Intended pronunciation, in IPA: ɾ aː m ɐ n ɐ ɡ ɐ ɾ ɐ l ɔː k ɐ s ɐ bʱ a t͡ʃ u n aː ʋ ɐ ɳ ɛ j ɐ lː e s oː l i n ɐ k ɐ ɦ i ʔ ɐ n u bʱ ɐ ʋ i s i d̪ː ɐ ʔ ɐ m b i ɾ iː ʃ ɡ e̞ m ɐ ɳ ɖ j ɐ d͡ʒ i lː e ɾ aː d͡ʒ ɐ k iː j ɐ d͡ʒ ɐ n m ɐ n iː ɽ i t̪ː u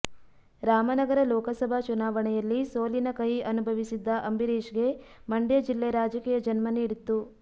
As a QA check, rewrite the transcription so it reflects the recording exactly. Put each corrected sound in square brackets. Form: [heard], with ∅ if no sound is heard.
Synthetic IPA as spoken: ɾ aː m ɐ n ɐ ɡ ɐ ɾ ɐ l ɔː k ɐ s ɐ bʱ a t͡ʃ u n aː ʋ ɐ ɳ ɛ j ɐ lː [i] s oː l i n ɐ k ɐ ɦ i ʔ ɐ n u bʱ ɐ ʋ i s i d̪ː ɐ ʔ ɐ m b i ɾ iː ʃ ɡ e̞ m ɐ ɳ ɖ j ɐ d͡ʒ i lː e ɾ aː d͡ʒ ɐ k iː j ɐ d͡ʒ ɐ n m ɐ n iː ɽ i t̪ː u